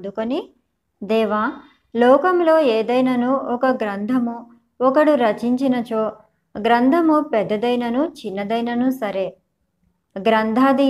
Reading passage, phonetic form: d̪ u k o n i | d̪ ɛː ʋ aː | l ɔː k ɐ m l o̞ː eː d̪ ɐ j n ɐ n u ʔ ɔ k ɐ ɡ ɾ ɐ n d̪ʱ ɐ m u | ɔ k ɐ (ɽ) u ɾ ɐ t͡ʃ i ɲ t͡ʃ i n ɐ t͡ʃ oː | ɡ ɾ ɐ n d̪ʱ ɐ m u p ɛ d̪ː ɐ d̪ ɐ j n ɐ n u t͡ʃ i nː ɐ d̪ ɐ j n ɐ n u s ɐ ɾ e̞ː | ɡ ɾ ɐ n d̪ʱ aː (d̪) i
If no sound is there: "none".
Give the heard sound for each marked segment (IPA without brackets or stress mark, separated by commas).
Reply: ɽ, d̪